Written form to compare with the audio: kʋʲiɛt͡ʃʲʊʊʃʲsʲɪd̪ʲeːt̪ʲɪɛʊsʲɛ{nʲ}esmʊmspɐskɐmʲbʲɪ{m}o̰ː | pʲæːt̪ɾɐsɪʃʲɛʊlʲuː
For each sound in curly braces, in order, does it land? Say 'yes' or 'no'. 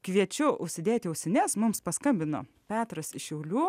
yes, no

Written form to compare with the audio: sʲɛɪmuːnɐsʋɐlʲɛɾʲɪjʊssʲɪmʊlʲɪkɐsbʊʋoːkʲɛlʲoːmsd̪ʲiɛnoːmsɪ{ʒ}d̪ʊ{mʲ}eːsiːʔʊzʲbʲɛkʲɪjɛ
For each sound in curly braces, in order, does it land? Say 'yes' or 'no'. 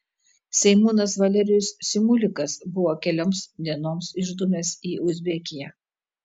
yes, yes

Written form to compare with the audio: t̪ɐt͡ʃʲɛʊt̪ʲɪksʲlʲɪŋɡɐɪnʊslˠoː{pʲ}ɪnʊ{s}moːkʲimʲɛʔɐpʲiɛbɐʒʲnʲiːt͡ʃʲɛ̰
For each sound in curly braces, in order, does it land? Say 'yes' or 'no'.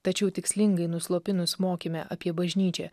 yes, yes

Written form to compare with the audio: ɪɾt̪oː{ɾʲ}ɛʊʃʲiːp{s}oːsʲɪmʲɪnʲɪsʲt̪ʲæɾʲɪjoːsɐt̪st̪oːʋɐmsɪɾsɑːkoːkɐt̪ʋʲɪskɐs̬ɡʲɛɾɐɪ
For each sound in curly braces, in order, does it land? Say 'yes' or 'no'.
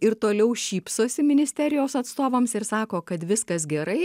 no, yes

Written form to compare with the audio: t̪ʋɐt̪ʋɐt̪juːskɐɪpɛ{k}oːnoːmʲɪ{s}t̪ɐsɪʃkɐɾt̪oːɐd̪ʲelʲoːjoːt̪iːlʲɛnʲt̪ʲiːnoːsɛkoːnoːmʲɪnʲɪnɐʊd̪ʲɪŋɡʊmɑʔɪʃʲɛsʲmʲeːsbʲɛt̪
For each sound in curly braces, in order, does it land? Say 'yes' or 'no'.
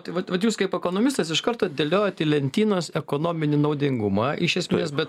yes, yes

